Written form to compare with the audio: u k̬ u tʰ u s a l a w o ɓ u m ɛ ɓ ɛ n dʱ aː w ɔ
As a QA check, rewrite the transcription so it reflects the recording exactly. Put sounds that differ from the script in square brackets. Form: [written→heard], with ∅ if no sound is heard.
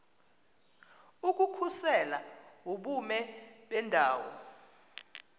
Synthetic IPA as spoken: u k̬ u [tʰ→kʰ] u s [a→ɛ] l a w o ɓ u m ɛ ɓ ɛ n dʱ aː w ɔ